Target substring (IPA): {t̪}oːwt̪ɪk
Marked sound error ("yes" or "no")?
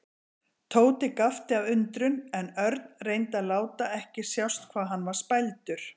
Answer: yes